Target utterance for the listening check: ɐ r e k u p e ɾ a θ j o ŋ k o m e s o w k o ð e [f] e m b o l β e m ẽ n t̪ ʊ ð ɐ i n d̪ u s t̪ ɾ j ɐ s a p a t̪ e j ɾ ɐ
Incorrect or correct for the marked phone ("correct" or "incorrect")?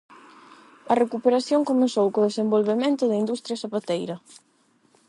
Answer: incorrect